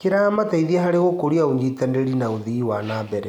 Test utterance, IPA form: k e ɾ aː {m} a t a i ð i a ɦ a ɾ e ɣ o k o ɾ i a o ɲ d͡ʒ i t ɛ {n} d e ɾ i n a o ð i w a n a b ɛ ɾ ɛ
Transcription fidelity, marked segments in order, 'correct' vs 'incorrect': correct, correct

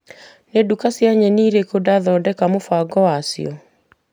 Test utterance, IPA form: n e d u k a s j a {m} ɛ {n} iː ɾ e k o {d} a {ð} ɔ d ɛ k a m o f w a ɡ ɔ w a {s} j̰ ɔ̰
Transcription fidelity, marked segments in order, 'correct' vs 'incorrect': incorrect, correct, correct, correct, correct

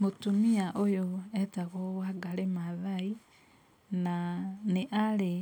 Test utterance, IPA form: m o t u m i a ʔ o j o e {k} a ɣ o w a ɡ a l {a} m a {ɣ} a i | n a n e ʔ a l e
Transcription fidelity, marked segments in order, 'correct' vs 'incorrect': incorrect, incorrect, incorrect

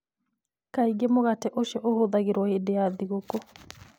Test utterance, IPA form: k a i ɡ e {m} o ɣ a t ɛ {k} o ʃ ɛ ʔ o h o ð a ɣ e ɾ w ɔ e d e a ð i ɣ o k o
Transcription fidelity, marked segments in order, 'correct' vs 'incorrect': correct, incorrect

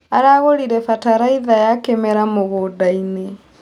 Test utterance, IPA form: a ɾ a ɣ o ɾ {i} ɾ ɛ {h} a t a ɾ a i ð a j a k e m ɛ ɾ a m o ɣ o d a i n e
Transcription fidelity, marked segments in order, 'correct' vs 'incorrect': correct, incorrect

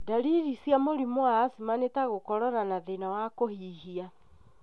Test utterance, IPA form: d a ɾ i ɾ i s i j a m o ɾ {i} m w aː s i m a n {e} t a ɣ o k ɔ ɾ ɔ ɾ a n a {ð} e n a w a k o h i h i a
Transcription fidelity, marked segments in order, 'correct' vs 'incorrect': correct, correct, correct

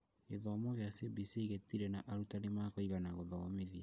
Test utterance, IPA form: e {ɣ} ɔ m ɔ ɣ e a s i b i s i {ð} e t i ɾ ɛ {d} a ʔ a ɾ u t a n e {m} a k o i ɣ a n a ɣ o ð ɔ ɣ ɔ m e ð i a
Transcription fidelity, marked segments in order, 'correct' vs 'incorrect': incorrect, incorrect, incorrect, correct

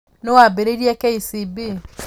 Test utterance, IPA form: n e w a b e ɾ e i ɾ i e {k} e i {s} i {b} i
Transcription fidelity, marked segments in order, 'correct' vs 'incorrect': correct, correct, correct

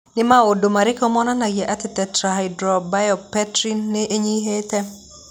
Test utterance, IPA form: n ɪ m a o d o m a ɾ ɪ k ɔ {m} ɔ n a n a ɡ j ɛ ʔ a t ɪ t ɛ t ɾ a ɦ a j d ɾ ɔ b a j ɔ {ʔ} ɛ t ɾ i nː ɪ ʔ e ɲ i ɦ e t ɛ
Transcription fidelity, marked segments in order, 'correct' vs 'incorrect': correct, incorrect

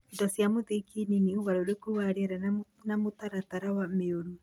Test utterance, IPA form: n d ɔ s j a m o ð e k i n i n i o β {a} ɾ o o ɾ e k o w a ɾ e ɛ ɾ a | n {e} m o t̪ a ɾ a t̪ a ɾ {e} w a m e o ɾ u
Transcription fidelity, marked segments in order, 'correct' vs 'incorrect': correct, incorrect, incorrect

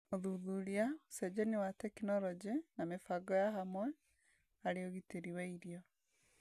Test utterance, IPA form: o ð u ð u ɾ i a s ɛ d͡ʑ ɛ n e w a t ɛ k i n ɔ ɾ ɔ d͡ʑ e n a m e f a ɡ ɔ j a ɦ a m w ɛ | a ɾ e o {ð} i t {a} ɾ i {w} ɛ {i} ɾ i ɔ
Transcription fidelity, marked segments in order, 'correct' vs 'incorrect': incorrect, incorrect, correct, correct

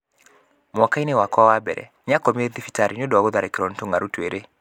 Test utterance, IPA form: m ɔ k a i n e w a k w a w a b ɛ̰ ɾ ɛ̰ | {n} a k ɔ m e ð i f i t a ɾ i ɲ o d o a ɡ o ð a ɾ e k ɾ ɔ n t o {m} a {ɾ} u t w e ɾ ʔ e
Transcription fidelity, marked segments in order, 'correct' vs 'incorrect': incorrect, incorrect, correct

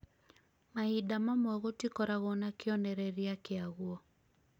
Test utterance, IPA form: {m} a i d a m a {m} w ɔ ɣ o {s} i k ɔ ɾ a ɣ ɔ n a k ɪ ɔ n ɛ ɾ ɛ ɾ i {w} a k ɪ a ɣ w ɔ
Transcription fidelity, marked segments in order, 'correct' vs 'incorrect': correct, correct, incorrect, incorrect

